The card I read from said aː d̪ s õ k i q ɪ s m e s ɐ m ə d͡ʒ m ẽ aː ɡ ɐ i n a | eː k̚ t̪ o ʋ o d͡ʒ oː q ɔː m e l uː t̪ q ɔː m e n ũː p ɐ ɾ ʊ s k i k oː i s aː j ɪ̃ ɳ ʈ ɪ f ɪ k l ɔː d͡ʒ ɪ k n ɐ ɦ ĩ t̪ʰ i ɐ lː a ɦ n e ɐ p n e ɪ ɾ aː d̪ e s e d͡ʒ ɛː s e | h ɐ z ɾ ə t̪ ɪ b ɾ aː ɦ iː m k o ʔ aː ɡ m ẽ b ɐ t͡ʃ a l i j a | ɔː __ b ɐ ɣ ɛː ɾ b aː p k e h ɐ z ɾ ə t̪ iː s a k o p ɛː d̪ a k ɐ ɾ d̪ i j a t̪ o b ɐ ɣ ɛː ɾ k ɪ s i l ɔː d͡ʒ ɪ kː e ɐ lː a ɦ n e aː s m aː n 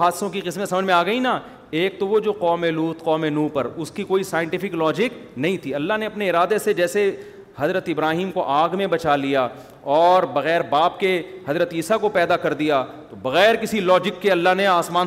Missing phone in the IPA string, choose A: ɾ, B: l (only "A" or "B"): A